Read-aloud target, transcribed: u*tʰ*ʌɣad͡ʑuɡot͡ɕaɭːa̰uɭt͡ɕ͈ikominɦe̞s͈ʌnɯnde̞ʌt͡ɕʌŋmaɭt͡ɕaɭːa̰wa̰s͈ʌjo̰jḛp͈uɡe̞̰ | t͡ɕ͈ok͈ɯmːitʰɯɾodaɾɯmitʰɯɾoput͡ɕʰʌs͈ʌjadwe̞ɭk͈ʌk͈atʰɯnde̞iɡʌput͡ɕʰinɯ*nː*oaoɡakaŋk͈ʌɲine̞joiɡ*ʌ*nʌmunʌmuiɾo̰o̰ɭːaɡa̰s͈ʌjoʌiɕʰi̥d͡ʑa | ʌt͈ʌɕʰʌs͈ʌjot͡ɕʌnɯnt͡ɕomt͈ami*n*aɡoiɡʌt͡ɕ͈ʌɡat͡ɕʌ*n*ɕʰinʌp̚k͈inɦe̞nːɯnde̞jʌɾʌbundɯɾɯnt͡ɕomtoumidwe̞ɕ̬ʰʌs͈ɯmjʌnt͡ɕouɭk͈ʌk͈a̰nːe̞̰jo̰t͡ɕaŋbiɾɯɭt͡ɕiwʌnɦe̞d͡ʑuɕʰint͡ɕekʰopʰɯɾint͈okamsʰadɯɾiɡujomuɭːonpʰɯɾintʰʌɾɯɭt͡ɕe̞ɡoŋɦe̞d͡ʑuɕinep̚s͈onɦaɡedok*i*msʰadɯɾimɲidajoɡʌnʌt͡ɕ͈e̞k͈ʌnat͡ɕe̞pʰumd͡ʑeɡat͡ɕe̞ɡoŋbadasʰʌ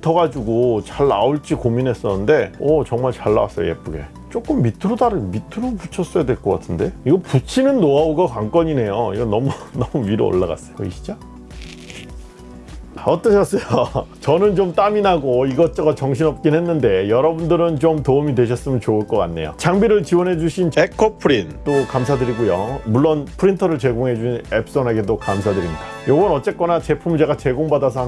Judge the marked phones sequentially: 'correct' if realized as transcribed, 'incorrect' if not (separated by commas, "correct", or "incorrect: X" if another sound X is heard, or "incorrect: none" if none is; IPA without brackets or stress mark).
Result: correct, correct, correct, correct, incorrect: ŋ, incorrect: a